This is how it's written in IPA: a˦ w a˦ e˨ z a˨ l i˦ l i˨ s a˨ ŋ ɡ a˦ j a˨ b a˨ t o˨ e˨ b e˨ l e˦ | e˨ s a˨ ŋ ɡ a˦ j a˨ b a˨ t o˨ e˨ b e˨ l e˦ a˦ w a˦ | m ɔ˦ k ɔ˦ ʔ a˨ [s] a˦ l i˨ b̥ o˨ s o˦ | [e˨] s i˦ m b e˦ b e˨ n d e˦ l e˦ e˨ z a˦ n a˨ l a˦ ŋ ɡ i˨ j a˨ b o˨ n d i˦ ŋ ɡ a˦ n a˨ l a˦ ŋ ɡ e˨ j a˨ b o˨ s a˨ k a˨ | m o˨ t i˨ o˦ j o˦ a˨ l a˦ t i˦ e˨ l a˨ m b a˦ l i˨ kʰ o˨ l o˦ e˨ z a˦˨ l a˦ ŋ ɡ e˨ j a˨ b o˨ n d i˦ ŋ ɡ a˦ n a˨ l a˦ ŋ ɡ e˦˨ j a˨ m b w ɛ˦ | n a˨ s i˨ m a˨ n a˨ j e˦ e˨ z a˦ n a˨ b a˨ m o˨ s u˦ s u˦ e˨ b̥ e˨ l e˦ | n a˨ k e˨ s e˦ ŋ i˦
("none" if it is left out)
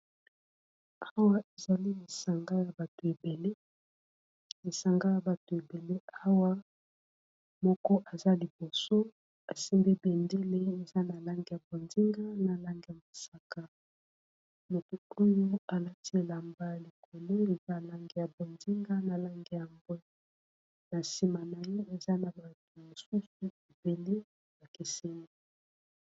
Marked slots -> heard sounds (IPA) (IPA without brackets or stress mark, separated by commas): z, a˨